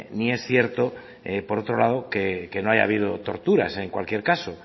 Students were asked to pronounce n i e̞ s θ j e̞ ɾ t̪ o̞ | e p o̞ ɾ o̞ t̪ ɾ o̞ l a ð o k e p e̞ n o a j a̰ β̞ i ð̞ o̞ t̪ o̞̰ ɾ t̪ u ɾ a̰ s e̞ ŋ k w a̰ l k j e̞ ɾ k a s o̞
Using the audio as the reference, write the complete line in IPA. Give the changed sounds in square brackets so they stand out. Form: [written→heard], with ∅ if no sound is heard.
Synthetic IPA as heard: n i e̞ s θ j e̞ ɾ t̪ o̞ | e p o̞ ɾ o̞ t̪ ɾ o̞ l a ð o k e [p→k] e̞ n o a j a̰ β̞ i ð̞ o̞ t̪ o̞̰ ɾ t̪ u ɾ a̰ s e̞ ŋ k w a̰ l k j e̞ ɾ k a s o̞